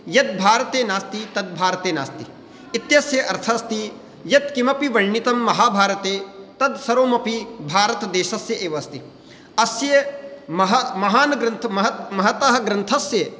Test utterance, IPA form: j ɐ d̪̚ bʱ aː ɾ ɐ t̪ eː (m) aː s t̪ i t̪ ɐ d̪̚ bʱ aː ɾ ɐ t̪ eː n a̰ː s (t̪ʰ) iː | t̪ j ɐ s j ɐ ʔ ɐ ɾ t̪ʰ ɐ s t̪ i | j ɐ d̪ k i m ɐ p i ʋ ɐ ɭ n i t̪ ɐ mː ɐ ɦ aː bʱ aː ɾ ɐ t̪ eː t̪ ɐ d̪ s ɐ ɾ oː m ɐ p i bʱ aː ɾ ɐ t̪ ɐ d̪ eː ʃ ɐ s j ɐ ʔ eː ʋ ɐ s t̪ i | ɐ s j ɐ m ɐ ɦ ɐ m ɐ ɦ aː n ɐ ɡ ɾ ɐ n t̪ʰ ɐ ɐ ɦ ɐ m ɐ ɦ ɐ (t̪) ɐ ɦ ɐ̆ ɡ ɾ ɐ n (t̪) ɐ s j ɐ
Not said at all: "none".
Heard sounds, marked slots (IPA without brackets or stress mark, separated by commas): n, t̪, t̪, t̪ʰ